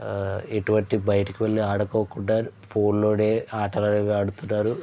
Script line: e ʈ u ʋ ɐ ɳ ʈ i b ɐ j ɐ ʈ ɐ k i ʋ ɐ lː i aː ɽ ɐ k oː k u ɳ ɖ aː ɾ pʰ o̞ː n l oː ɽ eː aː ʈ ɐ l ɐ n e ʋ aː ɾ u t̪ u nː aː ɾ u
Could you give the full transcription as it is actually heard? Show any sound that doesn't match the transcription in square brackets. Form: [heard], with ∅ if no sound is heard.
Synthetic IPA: e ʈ u ʋ ɐ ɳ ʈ i b ɐ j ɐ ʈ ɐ k i ʋ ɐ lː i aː ɽ ɐ k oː k u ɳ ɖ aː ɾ pʰ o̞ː n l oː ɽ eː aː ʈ ɐ l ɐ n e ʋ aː [ɽ] u t̪ u nː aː ɾ u

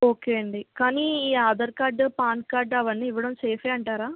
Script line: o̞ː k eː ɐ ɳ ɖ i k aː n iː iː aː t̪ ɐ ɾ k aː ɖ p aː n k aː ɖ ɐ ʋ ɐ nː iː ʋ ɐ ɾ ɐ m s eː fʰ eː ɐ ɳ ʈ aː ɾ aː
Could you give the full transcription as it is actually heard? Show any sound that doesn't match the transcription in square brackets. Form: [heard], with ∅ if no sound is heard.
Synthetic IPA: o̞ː k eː ɐ ɳ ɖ i k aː n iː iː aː [d̪] ɐ ɾ k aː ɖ p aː n k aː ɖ ɐ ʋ ɐ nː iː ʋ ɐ [ɽ] ɐ m s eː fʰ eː ɐ ɳ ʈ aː ɾ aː

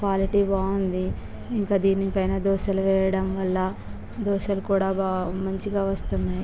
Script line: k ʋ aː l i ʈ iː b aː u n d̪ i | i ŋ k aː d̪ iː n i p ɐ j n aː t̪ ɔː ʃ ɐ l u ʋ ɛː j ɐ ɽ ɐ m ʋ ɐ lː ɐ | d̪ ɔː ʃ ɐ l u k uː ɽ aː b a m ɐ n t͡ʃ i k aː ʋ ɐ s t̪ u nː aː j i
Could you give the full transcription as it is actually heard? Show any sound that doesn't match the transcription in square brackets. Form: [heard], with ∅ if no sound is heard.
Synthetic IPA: k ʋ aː l i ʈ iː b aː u n d̪ i | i ŋ k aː d̪ iː n i p ɐ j n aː [d̪] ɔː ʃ ɐ l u ʋ ɛː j ɐ ɽ ɐ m ʋ ɐ lː ɐ | d̪ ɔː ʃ ɐ l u k uː ɽ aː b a m ɐ [ɲ] t͡ʃ i [ɡ] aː ʋ ɐ s t̪ u nː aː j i

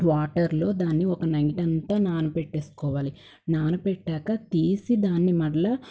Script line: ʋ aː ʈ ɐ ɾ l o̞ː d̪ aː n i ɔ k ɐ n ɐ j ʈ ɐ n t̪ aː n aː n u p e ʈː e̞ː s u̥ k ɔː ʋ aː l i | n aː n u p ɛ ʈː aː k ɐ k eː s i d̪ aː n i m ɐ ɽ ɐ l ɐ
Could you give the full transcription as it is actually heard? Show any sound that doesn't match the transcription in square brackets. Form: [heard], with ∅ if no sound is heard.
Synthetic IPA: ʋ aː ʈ ɐ ɾ l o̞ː d̪ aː [nː] i ɔ k ɐ n ɐ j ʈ ɐ n t̪ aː n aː n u p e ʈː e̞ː s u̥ k ɔː ʋ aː l i | n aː n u p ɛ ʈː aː k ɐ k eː s i d̪ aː [nː] i m ɐ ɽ ɐ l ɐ

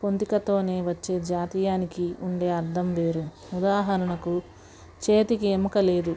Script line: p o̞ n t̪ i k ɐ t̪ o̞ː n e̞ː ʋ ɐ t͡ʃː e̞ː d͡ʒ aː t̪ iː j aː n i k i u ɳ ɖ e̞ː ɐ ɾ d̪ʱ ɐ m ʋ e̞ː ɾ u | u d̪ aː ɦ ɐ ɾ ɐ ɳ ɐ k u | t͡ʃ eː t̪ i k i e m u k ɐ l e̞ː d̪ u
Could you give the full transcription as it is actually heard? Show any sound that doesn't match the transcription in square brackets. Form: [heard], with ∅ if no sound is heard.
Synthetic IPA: p o̞ n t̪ i k ɐ t̪ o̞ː n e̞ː ʋ ɐ t͡ʃː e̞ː d͡ʒ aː t̪ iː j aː n i k i u ɳ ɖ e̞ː ɐ ɾ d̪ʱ ɐ m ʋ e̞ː ɾ u | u d̪ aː ɦ ɐ ɾ ɐ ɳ ɐ k u | t͡ʃ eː t̪ i k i e m u k ɐ l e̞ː d̪ u

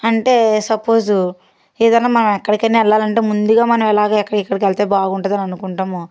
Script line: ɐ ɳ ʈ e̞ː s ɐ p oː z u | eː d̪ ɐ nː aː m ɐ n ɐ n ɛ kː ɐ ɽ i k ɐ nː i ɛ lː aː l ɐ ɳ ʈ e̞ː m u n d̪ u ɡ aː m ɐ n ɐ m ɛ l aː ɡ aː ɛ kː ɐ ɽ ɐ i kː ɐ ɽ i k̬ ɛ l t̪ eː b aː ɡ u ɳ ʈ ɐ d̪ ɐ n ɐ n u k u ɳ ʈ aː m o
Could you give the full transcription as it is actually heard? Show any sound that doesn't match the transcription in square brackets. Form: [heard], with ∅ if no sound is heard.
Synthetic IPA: ɐ ɳ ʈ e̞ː s ɐ p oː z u | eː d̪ ɐ nː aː m ɐ n ɐ [m] ɛ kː ɐ ɽ i k ɐ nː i ɛ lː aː l ɐ ɳ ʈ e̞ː m u n d̪ u ɡ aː m ɐ n ɐ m ɛ l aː ɡ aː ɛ kː ɐ ɽ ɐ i kː ɐ ɽ i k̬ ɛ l t̪ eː b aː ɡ u ɳ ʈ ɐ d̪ ɐ n ɐ n u k u ɳ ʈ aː m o

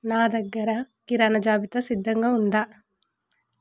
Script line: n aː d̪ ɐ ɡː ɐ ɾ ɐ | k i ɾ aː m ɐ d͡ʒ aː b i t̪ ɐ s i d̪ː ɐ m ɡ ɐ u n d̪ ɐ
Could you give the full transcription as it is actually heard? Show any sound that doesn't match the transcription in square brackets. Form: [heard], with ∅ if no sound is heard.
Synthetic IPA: n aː d̪ ɐ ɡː ɐ ɾ ɐ | k i ɾ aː [n] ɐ d͡ʒ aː b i t̪ ɐ s i d̪ː ɐ [ŋ] ɡ ɐ u n d̪ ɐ

